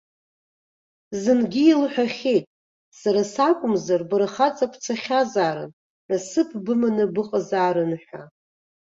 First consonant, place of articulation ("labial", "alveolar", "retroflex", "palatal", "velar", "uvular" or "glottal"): alveolar